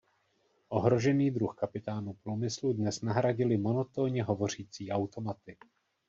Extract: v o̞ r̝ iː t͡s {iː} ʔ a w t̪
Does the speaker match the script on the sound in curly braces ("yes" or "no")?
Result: yes